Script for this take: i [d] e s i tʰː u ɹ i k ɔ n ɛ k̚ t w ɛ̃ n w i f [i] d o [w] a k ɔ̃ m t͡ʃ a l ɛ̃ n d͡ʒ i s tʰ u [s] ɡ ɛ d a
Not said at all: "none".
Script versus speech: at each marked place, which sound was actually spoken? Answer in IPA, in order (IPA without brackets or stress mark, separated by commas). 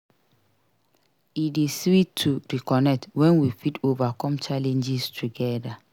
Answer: d, i, v, none